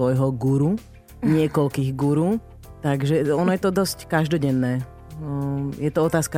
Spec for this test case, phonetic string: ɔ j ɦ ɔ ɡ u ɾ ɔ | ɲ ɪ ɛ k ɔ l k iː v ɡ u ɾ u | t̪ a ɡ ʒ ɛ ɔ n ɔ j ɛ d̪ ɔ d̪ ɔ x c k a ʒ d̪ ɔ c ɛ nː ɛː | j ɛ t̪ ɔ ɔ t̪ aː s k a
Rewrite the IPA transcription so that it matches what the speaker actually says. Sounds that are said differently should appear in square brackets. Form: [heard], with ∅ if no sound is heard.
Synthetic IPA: ɔ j ɦ ɔ ɡ u ɾ [u] | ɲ ɪ ɛ k ɔ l k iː [ɣ] ɡ u ɾ u | t̪ a ɡ ʒ ɛ ɔ n ɔ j ɛ [t̪] ɔ d̪ ɔ [s] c k a ʒ d̪ ɔ [ɟ] ɛ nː ɛː | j ɛ t̪ ɔ ɔ t̪ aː s k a